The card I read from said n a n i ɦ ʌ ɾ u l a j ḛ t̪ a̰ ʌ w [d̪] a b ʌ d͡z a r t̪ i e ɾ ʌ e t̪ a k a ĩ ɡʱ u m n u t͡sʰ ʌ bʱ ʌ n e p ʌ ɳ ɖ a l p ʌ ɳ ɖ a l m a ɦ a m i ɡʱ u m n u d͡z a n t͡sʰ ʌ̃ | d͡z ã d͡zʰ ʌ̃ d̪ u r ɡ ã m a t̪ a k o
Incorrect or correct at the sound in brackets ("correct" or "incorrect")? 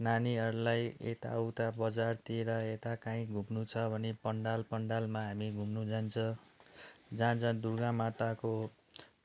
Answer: incorrect